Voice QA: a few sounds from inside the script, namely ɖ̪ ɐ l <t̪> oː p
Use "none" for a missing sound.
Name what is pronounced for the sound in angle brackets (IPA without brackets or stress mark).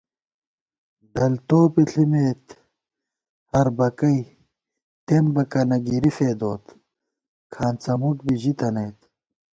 t̪